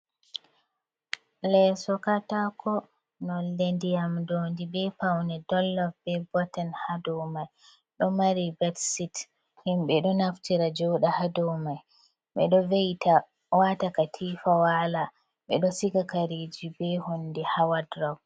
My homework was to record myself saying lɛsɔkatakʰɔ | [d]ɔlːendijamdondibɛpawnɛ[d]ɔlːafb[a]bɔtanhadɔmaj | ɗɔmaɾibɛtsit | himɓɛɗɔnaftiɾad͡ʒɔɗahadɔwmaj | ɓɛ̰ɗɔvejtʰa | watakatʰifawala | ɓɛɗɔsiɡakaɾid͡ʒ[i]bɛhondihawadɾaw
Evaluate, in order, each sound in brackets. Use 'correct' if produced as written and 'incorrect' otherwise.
incorrect, correct, incorrect, correct

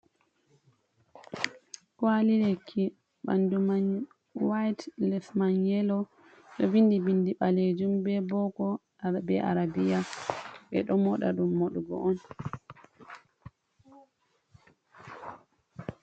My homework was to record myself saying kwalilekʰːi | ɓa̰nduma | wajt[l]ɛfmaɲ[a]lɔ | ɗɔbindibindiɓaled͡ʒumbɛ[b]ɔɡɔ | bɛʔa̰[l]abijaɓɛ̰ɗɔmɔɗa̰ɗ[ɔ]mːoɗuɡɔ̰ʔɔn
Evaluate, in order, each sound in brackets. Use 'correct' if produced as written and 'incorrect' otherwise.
correct, incorrect, correct, incorrect, incorrect

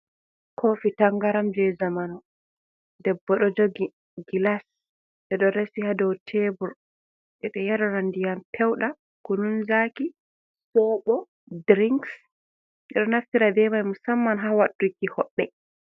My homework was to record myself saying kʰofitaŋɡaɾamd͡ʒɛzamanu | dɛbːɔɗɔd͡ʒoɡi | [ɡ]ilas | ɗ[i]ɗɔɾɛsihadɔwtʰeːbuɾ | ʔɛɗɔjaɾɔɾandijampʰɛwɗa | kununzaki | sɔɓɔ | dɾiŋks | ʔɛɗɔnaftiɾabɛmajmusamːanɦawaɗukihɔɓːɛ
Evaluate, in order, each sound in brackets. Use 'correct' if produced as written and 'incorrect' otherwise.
correct, incorrect

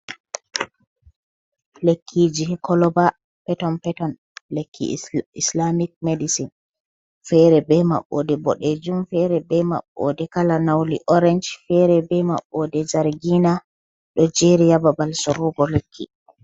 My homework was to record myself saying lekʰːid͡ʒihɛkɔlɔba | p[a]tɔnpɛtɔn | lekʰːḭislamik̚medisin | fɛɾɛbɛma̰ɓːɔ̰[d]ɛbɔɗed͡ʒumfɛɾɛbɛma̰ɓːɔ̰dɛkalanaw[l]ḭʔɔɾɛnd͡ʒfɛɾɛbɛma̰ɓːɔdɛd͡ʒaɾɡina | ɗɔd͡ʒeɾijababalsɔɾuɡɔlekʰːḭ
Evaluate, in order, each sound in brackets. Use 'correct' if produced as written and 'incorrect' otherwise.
incorrect, correct, correct

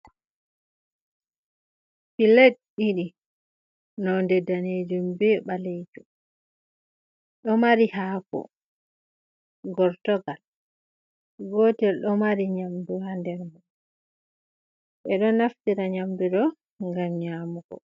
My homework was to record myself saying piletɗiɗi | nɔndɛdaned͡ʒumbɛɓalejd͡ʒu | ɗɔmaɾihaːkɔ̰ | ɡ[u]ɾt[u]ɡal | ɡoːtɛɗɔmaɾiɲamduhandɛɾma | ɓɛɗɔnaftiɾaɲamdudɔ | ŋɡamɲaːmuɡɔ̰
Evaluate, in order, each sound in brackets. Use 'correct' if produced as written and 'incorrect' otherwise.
incorrect, incorrect

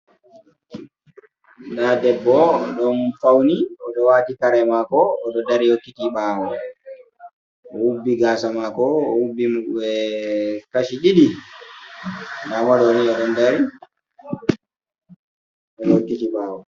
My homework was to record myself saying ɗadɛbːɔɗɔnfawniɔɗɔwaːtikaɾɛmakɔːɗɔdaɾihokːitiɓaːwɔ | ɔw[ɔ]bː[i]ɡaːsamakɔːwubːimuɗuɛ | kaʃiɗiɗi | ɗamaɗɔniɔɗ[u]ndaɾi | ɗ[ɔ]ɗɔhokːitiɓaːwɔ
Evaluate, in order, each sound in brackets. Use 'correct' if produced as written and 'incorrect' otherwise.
incorrect, correct, incorrect, correct

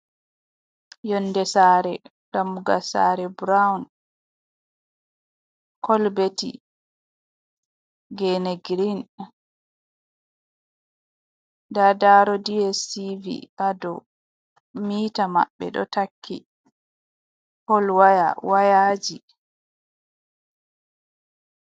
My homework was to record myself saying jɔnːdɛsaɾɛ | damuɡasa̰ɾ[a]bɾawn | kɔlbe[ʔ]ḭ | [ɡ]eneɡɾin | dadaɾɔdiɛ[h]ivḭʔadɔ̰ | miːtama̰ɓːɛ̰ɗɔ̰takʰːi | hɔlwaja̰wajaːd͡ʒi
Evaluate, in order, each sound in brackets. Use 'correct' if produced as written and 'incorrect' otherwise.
incorrect, incorrect, correct, incorrect

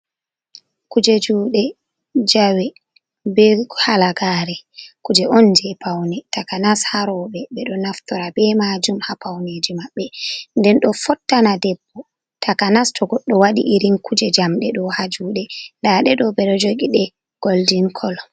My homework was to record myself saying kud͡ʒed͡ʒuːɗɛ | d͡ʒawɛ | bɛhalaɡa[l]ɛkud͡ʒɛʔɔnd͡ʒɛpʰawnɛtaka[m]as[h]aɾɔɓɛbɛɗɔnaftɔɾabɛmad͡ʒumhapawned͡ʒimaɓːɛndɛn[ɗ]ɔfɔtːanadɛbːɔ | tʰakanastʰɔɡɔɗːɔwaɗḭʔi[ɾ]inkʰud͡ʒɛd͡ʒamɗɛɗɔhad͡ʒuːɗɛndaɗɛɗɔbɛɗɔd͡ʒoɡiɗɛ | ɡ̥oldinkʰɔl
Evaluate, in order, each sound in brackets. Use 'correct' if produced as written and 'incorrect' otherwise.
incorrect, incorrect, correct, correct, correct

